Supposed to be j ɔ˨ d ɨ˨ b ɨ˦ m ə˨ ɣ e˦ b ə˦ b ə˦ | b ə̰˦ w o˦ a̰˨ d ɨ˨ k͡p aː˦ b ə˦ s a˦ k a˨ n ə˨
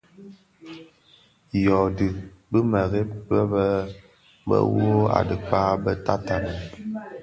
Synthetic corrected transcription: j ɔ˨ d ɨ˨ b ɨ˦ m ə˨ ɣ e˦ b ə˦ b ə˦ | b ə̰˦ w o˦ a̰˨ d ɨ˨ k͡p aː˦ b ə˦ t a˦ t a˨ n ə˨